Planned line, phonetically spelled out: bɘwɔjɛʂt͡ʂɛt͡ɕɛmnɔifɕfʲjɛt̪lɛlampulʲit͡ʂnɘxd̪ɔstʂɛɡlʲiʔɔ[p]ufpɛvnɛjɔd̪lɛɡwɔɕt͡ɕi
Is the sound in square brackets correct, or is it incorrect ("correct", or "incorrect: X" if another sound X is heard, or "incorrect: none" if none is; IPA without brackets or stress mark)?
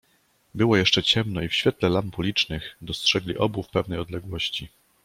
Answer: incorrect: b